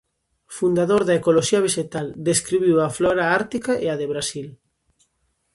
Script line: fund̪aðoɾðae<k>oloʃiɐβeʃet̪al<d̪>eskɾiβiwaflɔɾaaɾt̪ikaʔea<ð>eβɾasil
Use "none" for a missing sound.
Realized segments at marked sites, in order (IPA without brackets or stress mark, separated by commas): k, d̪, ð